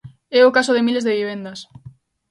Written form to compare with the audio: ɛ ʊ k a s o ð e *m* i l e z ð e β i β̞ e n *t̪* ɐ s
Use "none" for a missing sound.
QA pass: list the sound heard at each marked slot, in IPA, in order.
m, d̪

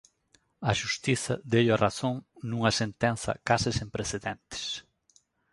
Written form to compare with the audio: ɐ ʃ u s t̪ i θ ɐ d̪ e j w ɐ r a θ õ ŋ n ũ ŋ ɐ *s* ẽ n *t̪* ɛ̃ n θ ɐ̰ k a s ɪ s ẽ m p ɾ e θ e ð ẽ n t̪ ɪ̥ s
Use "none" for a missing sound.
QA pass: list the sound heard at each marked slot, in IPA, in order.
s, t̪

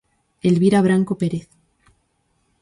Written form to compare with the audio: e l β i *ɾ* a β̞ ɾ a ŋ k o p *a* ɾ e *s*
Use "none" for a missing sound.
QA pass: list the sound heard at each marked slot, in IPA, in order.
ɾ, e, θ

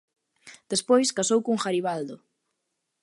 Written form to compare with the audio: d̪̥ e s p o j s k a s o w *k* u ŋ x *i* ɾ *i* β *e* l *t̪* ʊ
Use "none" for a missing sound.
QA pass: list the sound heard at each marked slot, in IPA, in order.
k, a, i, a, d̪

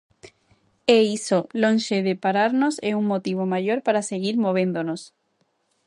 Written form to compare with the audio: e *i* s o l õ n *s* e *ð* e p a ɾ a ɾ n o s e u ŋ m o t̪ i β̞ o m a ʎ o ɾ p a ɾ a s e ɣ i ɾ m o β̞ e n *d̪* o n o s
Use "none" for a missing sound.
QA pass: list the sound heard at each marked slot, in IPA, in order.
i, ʃ, ð, d̪

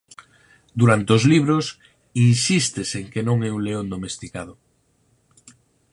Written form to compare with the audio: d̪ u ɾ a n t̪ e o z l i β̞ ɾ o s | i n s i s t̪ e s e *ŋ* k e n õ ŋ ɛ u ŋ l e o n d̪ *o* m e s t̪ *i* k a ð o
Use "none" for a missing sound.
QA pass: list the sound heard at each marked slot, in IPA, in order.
ŋ, o, i

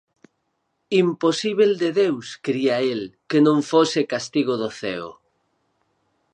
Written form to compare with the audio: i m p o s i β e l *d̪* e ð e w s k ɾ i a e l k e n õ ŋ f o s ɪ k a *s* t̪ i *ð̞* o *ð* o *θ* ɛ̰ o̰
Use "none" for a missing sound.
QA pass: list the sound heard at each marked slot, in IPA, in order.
d̪, s, ɣ̞, ð, θ

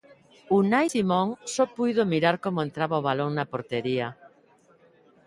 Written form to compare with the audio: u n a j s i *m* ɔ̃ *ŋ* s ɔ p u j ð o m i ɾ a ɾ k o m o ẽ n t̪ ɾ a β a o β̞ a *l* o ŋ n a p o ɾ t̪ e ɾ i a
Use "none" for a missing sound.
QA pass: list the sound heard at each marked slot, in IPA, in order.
m, ŋ, l

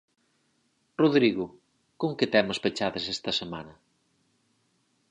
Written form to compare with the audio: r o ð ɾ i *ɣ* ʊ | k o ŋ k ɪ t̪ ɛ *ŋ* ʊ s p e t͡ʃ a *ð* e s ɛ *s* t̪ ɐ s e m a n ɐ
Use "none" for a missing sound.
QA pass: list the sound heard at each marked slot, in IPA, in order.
ɣ, m, ð, s

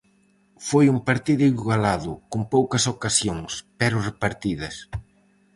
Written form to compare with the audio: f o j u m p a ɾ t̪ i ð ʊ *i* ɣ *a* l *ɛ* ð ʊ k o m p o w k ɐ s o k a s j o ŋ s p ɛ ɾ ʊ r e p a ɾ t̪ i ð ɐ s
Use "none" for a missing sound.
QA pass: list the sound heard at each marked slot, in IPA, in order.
i, a, a

